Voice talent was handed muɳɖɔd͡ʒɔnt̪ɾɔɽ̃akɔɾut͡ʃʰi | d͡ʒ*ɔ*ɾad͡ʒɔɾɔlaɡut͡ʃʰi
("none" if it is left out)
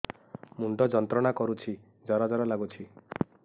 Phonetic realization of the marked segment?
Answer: ɔ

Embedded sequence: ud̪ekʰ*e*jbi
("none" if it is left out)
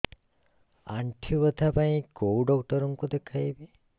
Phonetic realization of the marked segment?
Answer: a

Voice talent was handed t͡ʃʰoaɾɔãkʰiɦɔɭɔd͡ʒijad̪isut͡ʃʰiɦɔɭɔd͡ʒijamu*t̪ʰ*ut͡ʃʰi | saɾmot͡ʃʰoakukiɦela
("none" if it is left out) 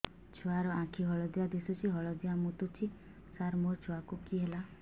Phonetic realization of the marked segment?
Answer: t̪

